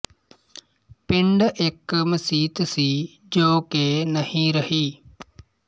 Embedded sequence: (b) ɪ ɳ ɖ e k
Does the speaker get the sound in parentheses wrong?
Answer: yes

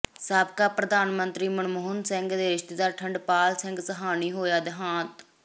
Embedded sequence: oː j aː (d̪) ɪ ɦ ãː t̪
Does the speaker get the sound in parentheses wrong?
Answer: no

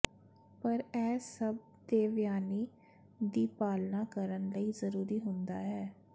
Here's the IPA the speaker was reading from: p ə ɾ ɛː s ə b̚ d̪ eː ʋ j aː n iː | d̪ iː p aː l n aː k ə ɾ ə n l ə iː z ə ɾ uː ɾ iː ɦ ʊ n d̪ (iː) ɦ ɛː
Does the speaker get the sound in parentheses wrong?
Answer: yes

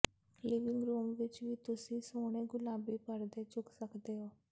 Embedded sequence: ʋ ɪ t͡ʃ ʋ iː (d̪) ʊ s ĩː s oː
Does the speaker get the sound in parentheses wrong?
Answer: yes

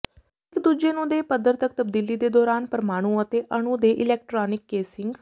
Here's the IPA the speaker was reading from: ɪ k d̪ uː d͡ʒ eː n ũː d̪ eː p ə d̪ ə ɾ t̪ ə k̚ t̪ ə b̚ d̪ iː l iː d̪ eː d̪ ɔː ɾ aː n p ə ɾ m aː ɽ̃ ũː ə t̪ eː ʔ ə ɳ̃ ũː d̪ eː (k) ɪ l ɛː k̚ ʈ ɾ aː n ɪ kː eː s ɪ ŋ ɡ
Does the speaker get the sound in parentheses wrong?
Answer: yes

